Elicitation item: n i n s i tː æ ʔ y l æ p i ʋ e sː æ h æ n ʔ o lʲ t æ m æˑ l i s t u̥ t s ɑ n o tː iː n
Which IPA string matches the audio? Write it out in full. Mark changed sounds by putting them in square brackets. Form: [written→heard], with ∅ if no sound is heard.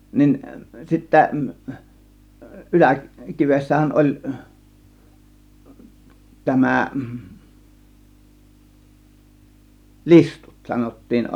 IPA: n i n s i tː æ ʔ y l æ [p→k] i ʋ e sː æ h æ n ʔ o lʲ t æ m æˑ l i s t u̥ t s ɑ n o tː iː n